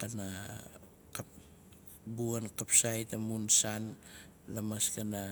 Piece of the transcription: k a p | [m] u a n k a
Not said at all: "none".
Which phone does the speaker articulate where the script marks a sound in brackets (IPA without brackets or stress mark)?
b